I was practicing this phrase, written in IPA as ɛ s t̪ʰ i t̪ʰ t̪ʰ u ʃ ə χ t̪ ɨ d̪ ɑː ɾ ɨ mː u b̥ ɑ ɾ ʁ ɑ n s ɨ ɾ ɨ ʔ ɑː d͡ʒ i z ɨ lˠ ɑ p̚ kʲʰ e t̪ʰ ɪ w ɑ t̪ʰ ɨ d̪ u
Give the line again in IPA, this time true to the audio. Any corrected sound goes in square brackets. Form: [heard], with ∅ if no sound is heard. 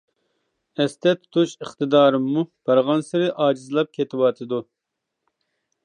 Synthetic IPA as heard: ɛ s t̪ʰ [ɛ] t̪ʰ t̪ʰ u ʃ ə χ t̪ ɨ d̪ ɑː ɾ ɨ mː u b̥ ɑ ɾ ʁ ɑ n s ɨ ɾ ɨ ʔ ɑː d͡ʒ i z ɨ lˠ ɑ p̚ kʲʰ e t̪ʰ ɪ w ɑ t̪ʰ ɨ d̪ u